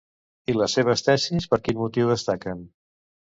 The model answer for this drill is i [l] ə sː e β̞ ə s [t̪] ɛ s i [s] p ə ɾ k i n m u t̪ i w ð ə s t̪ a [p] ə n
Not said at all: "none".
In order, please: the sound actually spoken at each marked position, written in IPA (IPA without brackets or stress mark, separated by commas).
l, t̪, s, k